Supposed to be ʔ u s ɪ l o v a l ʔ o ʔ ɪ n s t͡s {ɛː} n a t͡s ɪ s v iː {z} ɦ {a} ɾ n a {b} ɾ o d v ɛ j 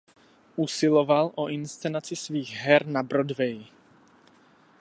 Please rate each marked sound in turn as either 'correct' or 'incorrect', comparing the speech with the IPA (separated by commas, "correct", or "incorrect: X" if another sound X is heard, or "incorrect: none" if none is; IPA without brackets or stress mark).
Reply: incorrect: ɛ, incorrect: ɣ, incorrect: ɛ, correct